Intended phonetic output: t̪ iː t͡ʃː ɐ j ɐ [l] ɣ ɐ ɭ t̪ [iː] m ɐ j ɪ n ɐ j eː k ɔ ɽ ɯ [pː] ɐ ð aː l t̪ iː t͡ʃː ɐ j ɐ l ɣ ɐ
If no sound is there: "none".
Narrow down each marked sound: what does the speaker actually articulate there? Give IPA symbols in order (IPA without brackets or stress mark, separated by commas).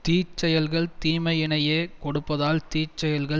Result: l, iː, pː